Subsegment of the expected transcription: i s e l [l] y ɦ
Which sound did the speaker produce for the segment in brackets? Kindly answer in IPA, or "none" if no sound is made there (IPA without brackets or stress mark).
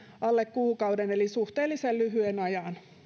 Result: l